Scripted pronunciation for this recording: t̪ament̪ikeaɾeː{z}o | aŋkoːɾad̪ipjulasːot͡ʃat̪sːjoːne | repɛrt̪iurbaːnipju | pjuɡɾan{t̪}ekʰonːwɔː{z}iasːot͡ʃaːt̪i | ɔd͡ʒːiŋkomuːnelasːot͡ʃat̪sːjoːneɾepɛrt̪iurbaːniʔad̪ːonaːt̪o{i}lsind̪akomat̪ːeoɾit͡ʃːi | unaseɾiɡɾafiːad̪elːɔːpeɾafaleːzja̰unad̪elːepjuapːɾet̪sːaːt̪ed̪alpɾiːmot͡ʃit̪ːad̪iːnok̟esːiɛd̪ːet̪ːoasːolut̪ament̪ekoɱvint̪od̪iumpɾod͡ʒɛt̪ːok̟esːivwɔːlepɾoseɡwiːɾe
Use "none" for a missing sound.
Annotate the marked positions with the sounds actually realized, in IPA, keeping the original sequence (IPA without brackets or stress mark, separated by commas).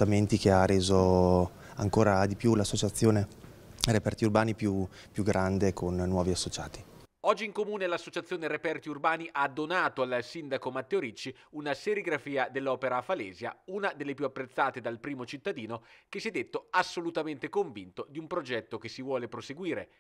z, d̪, v, a